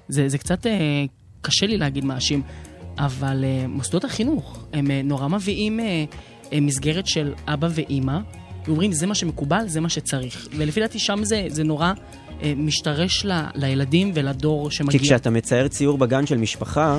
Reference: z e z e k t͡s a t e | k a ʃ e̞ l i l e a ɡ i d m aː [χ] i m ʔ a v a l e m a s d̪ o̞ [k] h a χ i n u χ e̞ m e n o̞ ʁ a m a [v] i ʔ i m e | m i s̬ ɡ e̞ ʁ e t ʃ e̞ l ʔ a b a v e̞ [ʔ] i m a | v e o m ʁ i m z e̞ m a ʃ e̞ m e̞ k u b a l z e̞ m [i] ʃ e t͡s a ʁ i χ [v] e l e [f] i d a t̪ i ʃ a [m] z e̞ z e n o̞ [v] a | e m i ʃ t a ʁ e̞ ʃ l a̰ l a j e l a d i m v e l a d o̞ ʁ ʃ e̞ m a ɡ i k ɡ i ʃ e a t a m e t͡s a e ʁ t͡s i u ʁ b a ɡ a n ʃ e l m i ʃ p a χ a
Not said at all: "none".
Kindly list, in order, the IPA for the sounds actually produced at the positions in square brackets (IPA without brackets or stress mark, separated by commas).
ʃ, t, v, ʔ, a, v, f, m, ʁ